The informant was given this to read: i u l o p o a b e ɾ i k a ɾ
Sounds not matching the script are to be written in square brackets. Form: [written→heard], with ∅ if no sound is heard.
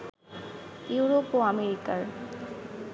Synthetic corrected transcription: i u [l→ɾ] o p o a [b→m] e ɾ i k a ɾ

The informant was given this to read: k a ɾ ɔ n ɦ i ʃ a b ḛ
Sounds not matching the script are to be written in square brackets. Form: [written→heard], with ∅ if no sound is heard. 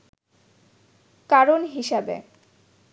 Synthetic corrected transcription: k a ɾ [ɔ→o] n ɦ i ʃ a b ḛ

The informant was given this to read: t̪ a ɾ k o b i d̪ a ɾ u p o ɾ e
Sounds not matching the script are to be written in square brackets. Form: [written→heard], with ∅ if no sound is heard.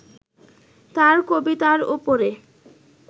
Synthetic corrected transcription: t̪ a ɾ k o b i [d̪→t̪] a ɾ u p o ɾ e

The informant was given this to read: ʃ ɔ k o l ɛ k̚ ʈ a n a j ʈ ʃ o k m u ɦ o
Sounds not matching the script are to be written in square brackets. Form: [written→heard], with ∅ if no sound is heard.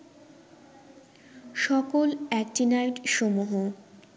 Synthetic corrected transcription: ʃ ɔ k o l ɛ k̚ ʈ [a→i] n a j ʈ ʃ o [k→∅] m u ɦ o

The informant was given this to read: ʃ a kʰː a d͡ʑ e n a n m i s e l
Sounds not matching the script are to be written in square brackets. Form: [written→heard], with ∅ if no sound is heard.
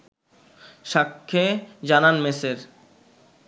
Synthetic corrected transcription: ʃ a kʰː [a→e] d͡ʑ [e→a] n a n m [i→e] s e [l→ɾ]

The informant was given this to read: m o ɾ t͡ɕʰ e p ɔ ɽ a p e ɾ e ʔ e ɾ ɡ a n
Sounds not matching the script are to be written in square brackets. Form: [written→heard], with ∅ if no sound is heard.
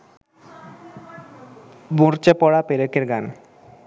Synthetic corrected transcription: [m→b] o ɾ [t͡ɕʰ→t͡ɕ] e p ɔ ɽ a p e ɾ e [ʔ→k] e ɾ ɡ a n

